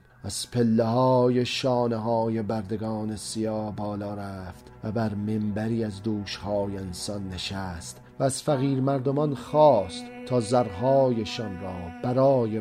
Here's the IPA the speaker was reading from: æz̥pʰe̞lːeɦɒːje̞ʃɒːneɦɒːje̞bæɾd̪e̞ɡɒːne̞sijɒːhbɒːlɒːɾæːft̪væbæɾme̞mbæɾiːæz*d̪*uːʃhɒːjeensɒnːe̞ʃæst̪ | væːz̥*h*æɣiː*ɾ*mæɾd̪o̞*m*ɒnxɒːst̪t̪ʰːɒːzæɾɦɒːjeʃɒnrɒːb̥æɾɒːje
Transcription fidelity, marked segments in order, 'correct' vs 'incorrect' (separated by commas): correct, incorrect, correct, correct